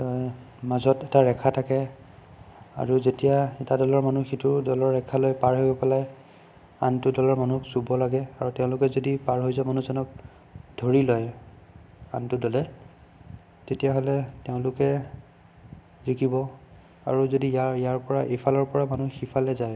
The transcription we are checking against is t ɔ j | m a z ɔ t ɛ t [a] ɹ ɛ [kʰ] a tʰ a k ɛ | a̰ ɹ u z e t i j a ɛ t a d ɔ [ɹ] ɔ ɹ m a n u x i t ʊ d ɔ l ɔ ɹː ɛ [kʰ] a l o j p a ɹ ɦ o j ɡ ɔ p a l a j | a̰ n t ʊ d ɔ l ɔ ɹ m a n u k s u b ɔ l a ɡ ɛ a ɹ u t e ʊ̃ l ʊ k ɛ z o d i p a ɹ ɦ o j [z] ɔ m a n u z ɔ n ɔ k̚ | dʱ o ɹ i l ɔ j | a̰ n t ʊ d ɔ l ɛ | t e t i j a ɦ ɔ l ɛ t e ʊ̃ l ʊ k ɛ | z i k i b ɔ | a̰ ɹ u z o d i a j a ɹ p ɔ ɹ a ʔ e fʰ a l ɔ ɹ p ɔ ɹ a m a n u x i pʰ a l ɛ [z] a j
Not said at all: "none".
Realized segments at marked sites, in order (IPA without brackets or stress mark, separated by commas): a, kʰ, l, kʰ, z, z